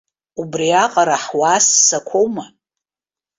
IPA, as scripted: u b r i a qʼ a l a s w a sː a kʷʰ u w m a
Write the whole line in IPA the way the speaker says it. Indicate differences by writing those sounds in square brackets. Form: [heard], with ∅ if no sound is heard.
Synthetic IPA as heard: u b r i a qʼ a [ɾ] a [ħ] w a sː a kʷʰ [o] w m a